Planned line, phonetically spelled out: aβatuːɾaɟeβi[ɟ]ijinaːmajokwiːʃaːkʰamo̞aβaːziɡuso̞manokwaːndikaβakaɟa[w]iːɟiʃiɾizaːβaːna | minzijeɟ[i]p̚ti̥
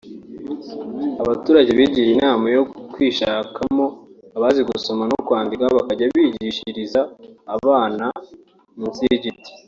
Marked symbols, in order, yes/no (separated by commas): yes, no, yes